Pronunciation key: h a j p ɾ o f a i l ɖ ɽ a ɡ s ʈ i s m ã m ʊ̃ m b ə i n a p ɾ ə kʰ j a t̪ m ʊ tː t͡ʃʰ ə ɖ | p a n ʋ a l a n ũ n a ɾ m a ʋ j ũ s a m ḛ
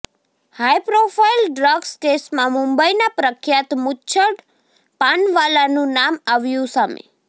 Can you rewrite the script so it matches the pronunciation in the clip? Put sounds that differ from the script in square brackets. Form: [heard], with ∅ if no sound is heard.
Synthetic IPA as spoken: h a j p ɾ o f a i l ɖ [ɾ] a ɡ s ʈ [e] s m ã m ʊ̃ m b ə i n a p ɾ ə kʰ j a t̪ m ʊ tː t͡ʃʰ ə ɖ | p a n ʋ a l a n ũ n a [∅] m a ʋ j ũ s a m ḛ